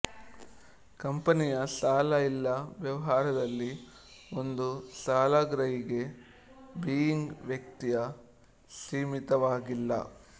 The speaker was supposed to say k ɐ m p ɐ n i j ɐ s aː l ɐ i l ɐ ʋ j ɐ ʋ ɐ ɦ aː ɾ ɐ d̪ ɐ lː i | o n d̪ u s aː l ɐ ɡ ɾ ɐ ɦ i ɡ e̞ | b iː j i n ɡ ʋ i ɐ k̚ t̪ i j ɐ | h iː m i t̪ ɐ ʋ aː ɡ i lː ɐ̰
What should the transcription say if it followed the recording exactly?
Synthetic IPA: k ɐ m p ɐ n i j ɐ s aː l ɐ i lː ɐ ʋ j ɐ ʋ ɐ ɦ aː ɾ ɐ d̪ ɐ lː i | o n d̪ u s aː l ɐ ɡ ɾ ɐ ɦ i ɡ e̞ | b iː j i ŋ ɡ ʋ j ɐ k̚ t̪ i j ɐ | s iː m i t̪ ɐ ʋ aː ɡ i lː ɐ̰

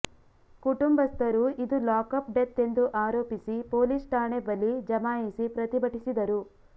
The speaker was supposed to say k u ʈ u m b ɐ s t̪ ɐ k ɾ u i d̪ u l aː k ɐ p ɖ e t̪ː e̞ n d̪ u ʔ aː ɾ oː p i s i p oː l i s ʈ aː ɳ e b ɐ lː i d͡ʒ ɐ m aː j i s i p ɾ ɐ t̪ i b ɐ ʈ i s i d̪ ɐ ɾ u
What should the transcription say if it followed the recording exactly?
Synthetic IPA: k u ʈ u m b ɐ s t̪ ɐ ɾ u i d̪ u l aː k ɐ p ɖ e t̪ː e̞ n d̪ u ʔ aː ɾ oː p i s i p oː l i s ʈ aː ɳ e b ɐ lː i d͡ʒ ɐ m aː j i s i p ɾ ɐ t̪ i b ɐ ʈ i s i d̪ ɐ ɾ u

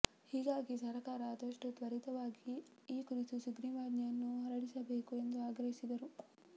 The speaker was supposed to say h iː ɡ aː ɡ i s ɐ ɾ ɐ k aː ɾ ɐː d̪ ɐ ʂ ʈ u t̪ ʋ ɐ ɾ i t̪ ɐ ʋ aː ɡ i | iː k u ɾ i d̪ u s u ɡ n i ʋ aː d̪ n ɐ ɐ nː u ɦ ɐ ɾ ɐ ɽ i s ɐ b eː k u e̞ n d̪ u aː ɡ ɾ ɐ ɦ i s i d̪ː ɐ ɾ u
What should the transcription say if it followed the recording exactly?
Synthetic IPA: h iː ɡ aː ɡ i s ɐ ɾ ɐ k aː ɾ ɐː d̪ ɐ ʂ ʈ u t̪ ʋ ɐ ɾ i t̪ ɐ ʋ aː ɡ i | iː k u ɾ i t̪ u s u ɡ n i ʋ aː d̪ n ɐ ɐ nː u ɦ ɐ ɾ ɐ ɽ i s ɐ b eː k u e̞ n d̪ u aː ɡ ɾ ɐ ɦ i s i d̪ ɐ ɾ u

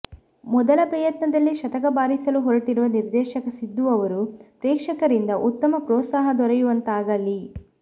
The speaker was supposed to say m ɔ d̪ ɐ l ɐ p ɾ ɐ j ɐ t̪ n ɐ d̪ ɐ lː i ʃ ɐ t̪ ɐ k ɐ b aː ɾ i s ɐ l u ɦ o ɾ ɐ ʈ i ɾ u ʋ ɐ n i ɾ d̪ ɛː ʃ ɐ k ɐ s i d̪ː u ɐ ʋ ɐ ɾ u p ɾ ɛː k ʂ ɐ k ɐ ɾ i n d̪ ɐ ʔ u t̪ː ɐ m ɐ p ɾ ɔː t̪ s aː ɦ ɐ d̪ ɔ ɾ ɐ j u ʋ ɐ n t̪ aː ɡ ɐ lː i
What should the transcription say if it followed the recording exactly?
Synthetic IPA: m ɔ d̪ ɐ l ɐ p ɾ ɐ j ɐ t̪ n ɐ d̪ ɐ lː i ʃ ɐ t̪ ɐ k ɐ b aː ɾ i s ɐ l u ɦ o ɾ ɐ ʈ i ɾ u ʋ ɐ n i ɾ d̪ ɛː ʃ ɐ k ɐ s i d̪ː u ɐ ʋ ɐ ɾ u p ɾ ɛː k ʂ ɐ k ɐ ɾ i n d̪ ɐ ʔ u t̪ː ɐ m ɐ p ɾ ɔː t̪ s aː ɦ ɐ d̪ ɔ ɾ ɐ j u ʋ ɐ n t̪ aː ɡ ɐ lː i

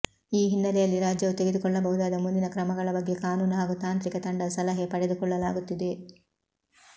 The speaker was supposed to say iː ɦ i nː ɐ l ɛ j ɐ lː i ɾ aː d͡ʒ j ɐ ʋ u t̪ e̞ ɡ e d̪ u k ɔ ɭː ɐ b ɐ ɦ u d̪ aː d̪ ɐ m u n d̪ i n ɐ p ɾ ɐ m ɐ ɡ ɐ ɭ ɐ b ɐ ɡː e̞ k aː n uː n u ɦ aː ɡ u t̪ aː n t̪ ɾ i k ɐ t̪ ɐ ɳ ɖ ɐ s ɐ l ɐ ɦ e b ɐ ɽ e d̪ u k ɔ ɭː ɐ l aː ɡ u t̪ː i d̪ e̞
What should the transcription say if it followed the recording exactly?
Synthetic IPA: iː ɦ i nː ɐ l ɛ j ɐ lː i ɾ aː d͡ʒ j ɐ ʋ u t̪ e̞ ɡ e d̪ u k ɔ ɭː ɐ b ɐ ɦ u d̪ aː d̪ ɐ m u n d̪ i n ɐ k ɾ ɐ m ɐ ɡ ɐ ɭ ɐ b ɐ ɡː e̞ k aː n uː n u ɦ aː ɡ u t̪ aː n t̪ ɾ i k ɐ t̪ ɐ ɳ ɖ ɐ s ɐ l ɐ ɦ e p ɐ ɽ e d̪ u k ɔ ɭː ɐ l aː ɡ u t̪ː i d̪ e̞

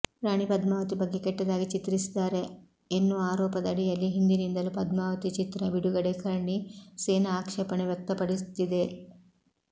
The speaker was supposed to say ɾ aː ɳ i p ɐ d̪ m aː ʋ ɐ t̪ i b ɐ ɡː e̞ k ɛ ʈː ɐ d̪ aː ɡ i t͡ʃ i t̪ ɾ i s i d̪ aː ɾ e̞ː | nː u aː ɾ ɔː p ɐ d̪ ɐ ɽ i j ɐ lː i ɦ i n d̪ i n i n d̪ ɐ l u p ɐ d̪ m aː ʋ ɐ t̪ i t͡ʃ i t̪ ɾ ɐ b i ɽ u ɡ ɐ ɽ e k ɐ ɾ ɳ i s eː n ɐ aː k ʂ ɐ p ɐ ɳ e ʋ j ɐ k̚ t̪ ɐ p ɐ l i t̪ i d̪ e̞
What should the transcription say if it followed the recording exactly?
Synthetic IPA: ɾ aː ɳ i p ɐ d̪ m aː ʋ ɐ t̪ i b ɐ ɡː e̞ k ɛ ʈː ɐ d̪ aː ɡ i t͡ʃ i t̪ ɾ i s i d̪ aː ɾ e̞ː | nː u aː ɾ ɔː p ɐ d̪ ɐ ɽ i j ɐ lː i ɦ i n d̪ i n i n d̪ ɐ l u p ɐ d̪ m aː ʋ ɐ t̪ i t͡ʃ i t̪ ɾ ɐ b i ɽ u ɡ ɐ ɽ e k ɐ ɾ ɳ i s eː n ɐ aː k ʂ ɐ p ɐ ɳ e ʋ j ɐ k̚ t̪ ɐ p ɐ ɽ i t̪ i d̪ e̞

